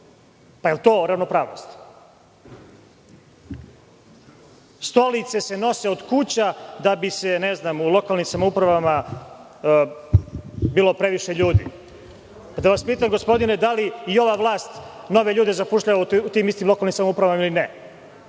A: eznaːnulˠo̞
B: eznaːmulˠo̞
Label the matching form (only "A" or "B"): B